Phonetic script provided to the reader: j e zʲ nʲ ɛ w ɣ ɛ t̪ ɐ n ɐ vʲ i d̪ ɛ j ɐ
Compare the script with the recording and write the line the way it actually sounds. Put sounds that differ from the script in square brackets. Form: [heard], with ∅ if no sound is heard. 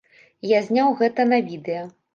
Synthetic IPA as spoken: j [a] zʲ nʲ [a] w ɣ ɛ t̪ ɐ n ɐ vʲ i d̪ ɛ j ɐ